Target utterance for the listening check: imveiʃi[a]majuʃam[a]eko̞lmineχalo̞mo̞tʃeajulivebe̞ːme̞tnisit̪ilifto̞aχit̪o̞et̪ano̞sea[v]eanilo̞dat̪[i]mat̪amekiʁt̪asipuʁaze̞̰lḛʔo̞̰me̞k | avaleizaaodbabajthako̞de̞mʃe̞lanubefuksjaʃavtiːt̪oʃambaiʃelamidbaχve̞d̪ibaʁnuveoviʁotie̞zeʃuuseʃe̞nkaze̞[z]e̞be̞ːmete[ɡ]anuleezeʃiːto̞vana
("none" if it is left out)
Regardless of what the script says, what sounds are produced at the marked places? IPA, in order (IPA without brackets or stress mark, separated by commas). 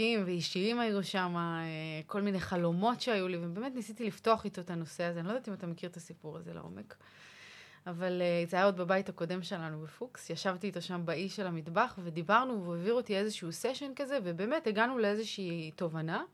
i, a, z, i, v, ɡ